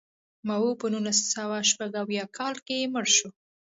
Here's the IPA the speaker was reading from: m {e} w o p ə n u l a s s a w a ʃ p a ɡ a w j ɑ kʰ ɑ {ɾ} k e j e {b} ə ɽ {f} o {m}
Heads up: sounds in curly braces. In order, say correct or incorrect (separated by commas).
incorrect, incorrect, incorrect, incorrect, incorrect